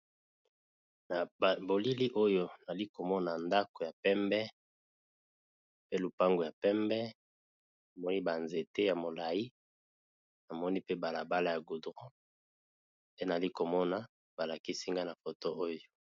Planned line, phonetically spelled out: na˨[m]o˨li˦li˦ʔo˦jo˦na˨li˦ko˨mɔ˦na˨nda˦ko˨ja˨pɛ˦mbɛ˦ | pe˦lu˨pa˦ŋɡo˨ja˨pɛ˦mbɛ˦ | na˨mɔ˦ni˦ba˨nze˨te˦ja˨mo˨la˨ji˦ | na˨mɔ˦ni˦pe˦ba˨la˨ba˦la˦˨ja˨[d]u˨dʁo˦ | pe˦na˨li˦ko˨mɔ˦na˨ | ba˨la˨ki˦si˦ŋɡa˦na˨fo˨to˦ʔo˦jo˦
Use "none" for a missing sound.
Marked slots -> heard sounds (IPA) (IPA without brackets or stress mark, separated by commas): b, ɡ